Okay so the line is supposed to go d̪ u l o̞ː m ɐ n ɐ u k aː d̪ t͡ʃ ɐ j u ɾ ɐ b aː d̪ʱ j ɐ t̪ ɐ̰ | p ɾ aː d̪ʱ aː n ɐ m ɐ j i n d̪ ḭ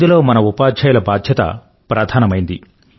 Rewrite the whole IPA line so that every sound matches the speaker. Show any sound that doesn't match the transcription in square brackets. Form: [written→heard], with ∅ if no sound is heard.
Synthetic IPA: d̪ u l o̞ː m ɐ n ɐ u [k→p] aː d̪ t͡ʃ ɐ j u [ɾ→l] ɐ b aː d̪ʱ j ɐ t̪ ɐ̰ | p ɾ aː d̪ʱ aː n ɐ m ɐ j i n d̪ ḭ

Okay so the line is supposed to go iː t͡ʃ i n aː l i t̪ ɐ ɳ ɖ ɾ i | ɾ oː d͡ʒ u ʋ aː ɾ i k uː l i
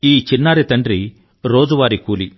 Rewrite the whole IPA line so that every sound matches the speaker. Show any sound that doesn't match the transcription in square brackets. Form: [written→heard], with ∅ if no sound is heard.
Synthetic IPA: iː t͡ʃ i [n→nː] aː [l→ɾ] i t̪ ɐ ɳ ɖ ɾ i | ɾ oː d͡ʒ u ʋ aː ɾ i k uː l i

